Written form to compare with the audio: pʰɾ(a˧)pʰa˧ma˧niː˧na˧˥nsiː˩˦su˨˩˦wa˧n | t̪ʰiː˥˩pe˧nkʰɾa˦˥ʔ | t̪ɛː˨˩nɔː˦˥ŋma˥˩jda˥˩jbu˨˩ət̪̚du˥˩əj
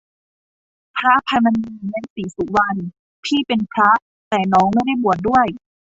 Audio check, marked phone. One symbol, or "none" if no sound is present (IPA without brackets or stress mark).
a˦˥